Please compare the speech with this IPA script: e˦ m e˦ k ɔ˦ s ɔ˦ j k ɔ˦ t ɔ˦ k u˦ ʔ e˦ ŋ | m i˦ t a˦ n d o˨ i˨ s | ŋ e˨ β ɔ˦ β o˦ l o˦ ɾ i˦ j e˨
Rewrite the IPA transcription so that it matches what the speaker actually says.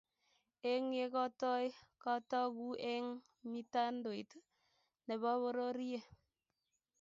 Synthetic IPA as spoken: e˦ ŋ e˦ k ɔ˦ t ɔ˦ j k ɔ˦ t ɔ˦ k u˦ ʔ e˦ ŋ | m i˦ t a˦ n d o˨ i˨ t | n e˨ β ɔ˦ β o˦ ɾ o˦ ɾ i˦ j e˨